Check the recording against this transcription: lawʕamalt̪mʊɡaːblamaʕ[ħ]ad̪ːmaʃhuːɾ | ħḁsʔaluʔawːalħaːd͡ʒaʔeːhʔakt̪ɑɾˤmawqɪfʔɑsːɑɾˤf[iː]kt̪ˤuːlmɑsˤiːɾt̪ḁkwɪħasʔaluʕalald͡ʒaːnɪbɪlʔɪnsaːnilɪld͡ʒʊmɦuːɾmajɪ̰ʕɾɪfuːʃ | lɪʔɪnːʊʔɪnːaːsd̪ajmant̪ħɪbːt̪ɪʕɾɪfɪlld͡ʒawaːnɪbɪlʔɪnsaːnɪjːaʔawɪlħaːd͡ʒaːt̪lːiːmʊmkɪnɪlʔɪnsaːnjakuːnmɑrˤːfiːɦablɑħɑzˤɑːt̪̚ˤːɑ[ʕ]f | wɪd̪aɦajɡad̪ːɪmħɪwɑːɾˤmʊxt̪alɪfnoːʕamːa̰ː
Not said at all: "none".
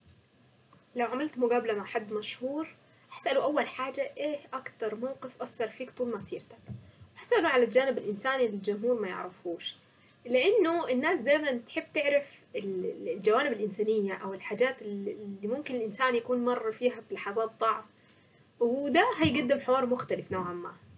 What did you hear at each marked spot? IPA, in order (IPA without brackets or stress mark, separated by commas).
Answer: ħ, iː, ʕ